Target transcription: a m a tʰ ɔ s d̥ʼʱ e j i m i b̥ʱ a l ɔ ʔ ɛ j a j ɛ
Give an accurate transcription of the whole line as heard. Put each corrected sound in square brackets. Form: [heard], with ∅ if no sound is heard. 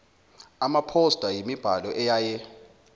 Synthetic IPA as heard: a m a [pʰ] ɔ s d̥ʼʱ [a] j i m i b̥ʱ a l ɔ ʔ ɛ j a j ɛ

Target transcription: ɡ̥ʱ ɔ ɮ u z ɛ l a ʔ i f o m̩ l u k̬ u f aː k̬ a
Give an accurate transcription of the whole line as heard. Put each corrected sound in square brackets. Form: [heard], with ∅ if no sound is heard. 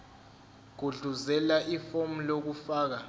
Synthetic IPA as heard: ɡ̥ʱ [u] ɮ u z ɛ l a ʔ i f o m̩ l [o] k̬ u f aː k̬ a

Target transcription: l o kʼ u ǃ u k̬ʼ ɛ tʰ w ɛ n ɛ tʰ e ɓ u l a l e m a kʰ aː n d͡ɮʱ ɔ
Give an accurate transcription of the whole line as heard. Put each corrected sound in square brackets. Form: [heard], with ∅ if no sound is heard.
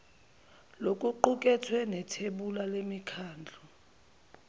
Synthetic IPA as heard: l o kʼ u ǃ u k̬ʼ ɛ tʰ w ɛ n ɛ tʰ e ɓ u l a l e m [i] kʰ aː n d͡ɮʱ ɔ

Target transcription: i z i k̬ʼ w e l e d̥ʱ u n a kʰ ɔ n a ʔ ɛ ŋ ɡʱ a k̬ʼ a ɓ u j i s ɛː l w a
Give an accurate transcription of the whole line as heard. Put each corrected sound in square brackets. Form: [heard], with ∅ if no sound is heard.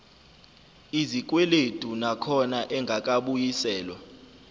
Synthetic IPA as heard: i z i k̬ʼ w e l e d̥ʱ u n a kʰ ɔ n a ʔ ɛ ŋ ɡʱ a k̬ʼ a ɓ u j i s ɛː l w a

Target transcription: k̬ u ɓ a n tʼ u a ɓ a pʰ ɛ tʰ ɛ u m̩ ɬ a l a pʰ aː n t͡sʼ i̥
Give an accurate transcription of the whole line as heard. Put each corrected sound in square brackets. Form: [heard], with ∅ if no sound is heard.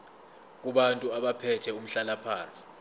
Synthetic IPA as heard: k̬ u ɓ a n tʼ u a ɓ a pʰ ɛ tʰ ɛ u m̩ ɬ a l a pʰ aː n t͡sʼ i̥

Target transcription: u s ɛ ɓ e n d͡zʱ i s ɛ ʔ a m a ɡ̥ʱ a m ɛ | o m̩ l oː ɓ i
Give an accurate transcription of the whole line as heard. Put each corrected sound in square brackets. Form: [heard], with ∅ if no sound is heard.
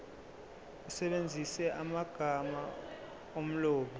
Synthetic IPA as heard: u s ɛ ɓ e n d͡zʱ i s ɛ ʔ a m a ɡ̥ʱ a m [a] | o m̩ l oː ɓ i

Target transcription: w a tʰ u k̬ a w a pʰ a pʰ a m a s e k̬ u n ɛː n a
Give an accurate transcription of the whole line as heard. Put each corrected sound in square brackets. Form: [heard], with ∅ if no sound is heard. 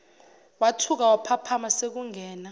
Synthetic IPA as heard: w a tʰ u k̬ a w a pʰ a pʰ a m a s e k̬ u [ŋ] ɛː n a

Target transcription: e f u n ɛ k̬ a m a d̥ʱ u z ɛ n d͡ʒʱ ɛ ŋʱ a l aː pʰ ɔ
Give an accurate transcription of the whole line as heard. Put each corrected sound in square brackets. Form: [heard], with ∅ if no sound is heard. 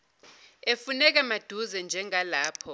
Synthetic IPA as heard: e f u n ɛ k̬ a m a d̥ʱ u z ɛ n d͡ʒʱ ɛ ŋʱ a l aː pʰ ɔ

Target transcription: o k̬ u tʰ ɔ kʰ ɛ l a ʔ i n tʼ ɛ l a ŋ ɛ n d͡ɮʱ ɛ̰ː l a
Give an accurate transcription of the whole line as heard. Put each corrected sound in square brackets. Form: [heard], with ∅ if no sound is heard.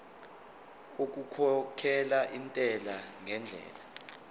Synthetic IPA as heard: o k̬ u [kʰ] ɔ kʰ ɛ l a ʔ i n tʼ ɛ l a ŋ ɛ n d͡ɮʱ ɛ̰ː l a

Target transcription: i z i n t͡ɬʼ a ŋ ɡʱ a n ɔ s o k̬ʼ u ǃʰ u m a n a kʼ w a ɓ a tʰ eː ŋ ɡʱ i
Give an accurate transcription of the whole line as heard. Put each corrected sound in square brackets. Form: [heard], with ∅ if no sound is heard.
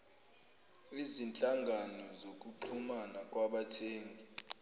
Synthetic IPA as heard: i z i n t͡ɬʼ a ŋ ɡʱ a n ɔ [z] o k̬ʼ u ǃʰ u m a n a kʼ w a ɓ a tʰ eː ŋ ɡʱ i

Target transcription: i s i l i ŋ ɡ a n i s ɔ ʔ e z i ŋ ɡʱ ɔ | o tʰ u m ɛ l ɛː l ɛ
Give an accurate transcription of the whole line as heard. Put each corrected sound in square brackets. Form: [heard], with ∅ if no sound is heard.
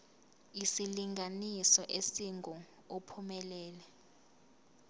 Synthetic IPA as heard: i s i l i ŋ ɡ a n i s ɔ ʔ e [s] i ŋ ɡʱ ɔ | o [pʰ] u m ɛ l ɛː l ɛ

